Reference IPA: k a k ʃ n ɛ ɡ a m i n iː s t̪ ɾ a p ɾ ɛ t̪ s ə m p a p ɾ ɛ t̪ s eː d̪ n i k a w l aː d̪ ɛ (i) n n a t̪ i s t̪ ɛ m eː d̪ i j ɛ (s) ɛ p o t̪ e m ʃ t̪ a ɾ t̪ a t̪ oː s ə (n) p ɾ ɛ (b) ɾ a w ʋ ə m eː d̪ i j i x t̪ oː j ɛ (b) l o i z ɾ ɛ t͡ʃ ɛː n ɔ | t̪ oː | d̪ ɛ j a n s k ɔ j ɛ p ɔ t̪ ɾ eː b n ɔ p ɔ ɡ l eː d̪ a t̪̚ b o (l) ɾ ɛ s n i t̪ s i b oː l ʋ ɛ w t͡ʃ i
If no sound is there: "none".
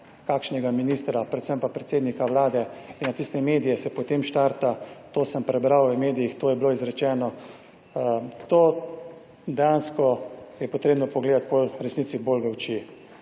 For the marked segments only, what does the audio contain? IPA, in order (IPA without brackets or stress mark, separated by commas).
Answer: i, s, m, b, b, l